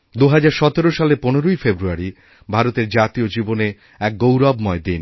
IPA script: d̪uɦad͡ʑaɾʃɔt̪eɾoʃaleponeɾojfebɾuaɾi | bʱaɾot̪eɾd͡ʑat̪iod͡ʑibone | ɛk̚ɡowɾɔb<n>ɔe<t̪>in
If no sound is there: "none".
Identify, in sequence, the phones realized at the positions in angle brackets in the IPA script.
m, d̪

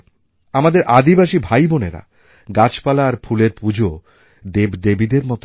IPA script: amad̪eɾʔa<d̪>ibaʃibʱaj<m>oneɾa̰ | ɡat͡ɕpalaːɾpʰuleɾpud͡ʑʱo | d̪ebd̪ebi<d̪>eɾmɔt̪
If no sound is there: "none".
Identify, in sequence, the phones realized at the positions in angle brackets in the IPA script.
d̪, b, d̪

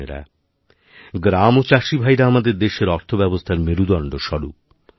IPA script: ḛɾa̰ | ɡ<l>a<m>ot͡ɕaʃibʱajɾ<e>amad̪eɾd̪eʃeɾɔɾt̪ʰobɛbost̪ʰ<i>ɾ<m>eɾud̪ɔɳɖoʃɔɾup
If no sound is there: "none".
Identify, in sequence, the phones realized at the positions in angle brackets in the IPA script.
ɾ, m, a, a, m

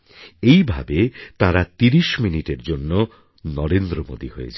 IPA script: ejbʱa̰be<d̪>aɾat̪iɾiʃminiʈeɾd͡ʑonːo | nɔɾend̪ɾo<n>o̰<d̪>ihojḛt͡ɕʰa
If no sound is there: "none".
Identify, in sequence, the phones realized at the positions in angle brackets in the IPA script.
t̪, m, d̪

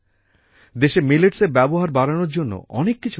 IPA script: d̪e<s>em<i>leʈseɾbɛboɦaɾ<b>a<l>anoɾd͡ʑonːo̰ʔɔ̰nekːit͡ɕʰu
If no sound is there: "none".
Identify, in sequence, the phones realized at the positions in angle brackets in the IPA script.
ʃ, i, b, ɾ

